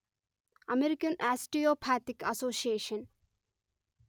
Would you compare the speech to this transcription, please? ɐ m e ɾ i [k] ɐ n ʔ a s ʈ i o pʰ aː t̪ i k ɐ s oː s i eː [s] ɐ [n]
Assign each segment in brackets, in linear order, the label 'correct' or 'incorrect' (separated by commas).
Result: correct, incorrect, correct